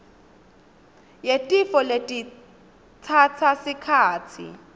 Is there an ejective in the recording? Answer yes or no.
yes